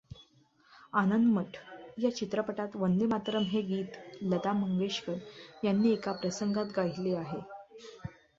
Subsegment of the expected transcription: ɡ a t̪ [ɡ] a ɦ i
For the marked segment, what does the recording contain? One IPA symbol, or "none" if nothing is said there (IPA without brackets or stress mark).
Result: ɡ